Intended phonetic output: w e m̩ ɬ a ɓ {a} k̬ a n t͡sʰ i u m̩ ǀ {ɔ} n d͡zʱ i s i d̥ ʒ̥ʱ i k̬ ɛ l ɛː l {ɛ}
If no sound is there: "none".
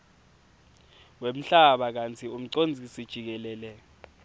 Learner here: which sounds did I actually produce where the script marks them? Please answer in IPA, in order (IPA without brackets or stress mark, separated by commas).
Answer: a, o, ɛ